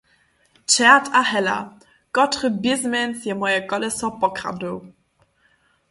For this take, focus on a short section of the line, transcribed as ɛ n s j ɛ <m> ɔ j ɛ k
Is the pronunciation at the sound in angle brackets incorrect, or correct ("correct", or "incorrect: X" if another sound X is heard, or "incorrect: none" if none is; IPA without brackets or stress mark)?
correct